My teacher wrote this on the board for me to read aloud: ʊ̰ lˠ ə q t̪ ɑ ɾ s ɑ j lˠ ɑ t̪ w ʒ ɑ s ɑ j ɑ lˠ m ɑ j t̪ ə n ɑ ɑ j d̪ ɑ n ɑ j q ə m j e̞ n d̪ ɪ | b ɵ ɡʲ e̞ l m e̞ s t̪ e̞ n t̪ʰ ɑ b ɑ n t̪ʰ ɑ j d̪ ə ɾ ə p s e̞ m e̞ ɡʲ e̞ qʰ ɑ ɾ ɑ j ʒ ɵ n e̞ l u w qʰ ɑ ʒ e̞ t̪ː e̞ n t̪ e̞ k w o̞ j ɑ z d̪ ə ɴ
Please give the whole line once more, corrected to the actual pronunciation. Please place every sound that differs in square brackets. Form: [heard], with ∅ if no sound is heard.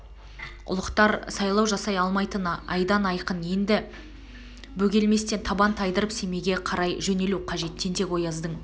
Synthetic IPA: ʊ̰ lˠ ə q t̪ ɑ ɾ s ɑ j lˠ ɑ [∅] w ʒ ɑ s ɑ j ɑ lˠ m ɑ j t̪ ə n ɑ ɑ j d̪ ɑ n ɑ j q ə [n] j e̞ n d̪ ɪ | b ɵ ɡʲ e̞ l m e̞ s t̪ e̞ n t̪ʰ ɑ b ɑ n t̪ʰ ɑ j d̪ ə ɾ ə p s e̞ m e̞ ɡʲ e̞ qʰ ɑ ɾ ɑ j ʒ ɵ n e̞ l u w qʰ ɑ ʒ e̞ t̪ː e̞ n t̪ e̞ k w o̞ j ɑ z d̪ ə ɴ